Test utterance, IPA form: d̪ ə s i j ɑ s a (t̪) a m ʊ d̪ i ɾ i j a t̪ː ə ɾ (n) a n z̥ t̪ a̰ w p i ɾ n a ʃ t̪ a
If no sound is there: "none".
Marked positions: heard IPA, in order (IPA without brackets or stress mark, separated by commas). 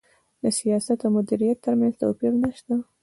t̪, m